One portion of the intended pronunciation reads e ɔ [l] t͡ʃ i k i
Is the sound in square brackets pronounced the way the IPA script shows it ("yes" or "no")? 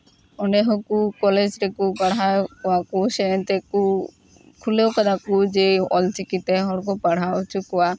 yes